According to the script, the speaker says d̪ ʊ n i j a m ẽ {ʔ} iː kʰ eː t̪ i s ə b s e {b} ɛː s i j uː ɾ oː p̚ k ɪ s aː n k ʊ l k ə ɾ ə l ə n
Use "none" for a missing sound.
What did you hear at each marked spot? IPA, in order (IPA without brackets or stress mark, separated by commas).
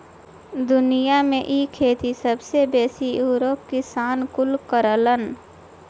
ʔ, b